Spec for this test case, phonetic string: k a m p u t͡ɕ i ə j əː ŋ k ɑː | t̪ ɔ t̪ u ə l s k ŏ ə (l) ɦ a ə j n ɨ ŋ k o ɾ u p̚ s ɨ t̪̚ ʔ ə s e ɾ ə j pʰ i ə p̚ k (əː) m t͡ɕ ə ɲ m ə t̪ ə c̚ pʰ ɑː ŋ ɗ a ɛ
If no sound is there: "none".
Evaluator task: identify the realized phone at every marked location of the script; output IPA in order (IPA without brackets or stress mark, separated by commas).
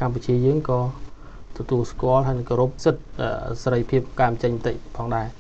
l, aː